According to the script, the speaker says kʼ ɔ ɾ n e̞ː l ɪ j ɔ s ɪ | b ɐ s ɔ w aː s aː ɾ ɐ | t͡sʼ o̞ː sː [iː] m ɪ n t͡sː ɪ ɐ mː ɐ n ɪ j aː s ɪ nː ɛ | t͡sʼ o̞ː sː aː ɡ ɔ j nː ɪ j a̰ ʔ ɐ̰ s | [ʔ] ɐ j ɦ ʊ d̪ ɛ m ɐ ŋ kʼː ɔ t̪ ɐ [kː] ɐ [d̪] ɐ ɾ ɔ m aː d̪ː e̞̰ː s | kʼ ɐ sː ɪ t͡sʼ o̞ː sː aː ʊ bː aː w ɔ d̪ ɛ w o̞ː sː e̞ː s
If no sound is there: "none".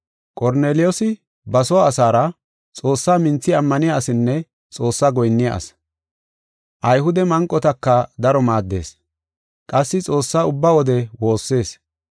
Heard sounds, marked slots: aː, ʔ, kː, d̪

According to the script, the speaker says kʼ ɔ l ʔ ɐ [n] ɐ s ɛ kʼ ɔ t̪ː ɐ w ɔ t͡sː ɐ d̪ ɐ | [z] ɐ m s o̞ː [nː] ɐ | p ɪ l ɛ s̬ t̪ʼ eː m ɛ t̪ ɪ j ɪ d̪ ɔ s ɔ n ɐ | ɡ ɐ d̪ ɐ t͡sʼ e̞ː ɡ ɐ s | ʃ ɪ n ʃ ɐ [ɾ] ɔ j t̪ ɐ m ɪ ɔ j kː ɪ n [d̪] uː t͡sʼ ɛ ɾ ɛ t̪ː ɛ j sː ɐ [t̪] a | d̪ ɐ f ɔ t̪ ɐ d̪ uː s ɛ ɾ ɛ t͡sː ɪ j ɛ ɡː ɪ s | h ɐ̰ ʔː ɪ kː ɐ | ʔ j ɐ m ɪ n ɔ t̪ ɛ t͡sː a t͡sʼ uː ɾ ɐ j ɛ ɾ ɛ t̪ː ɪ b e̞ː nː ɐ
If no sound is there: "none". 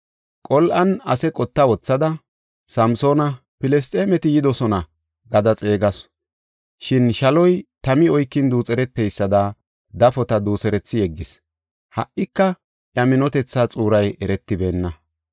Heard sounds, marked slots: n, s, n, l, d̪, d̪

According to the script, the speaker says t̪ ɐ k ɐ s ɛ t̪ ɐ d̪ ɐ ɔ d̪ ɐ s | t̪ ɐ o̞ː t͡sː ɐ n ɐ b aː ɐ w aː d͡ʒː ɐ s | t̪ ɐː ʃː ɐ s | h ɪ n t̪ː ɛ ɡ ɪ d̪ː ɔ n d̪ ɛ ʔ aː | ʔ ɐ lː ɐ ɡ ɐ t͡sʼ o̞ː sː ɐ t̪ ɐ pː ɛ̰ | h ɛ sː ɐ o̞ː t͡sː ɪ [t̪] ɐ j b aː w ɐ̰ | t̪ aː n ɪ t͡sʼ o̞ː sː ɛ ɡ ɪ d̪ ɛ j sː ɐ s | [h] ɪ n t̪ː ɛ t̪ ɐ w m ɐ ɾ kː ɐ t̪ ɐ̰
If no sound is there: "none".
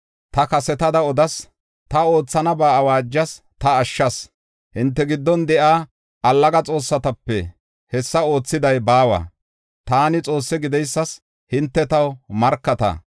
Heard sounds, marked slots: d̪, h

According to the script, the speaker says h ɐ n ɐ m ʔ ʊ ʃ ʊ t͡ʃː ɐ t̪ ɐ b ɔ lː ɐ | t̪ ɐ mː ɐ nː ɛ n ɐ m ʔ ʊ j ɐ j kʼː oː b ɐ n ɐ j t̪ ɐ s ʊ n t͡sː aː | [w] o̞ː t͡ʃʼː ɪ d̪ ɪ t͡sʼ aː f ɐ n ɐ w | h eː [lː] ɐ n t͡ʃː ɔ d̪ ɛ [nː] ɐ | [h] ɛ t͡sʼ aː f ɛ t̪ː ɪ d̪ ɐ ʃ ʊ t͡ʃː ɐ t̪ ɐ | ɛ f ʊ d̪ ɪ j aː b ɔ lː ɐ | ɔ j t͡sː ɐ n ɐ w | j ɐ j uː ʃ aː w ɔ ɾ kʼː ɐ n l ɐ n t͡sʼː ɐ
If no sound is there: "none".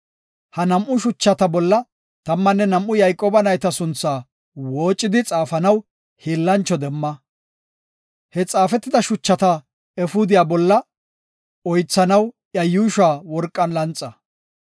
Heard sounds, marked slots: w, lː, mː, h

